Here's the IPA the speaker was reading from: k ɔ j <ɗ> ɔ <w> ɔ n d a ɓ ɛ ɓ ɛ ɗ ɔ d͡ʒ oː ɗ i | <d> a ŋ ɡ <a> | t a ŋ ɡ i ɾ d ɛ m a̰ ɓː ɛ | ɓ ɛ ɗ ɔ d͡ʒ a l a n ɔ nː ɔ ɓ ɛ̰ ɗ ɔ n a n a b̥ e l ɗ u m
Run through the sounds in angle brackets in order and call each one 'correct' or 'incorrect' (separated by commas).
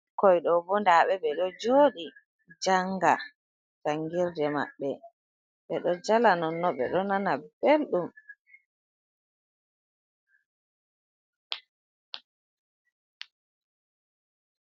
correct, incorrect, incorrect, correct